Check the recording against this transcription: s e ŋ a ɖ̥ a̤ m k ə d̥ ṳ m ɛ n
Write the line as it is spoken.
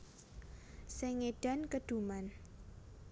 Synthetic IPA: s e ŋ e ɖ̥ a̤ n k ə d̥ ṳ m a n